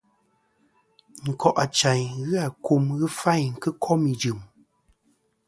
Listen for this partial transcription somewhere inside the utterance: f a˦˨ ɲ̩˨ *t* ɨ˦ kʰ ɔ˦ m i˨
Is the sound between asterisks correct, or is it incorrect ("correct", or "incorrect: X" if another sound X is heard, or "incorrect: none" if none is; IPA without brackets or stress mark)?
incorrect: k